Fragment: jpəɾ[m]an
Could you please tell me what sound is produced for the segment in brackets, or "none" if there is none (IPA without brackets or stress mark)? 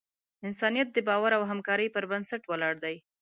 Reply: b